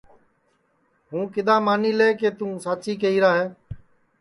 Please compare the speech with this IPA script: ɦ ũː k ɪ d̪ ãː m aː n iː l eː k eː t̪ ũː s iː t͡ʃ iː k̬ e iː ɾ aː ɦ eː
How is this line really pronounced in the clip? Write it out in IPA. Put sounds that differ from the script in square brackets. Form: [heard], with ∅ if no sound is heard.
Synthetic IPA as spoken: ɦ ũː k ɪ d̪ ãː m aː n iː l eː k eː t̪ ũː s [aː] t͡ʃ iː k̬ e iː ɾ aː ɦ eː